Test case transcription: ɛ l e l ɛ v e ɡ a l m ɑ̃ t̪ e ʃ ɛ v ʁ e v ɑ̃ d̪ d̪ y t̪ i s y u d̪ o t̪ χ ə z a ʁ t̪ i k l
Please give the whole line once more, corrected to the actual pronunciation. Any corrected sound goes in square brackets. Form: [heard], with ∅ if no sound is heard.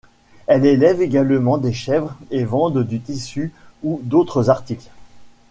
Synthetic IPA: ɛ l e l ɛ v e ɡ a l m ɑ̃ [d̪] e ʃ ɛ v ʁ e v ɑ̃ d̪ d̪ y t̪ i s y u d̪ o t̪ χ ə z a ʁ t̪ i k l